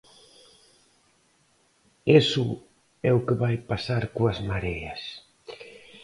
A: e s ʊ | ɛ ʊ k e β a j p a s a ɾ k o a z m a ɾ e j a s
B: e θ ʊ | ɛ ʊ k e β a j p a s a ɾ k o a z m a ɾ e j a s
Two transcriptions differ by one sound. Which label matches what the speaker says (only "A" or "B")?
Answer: A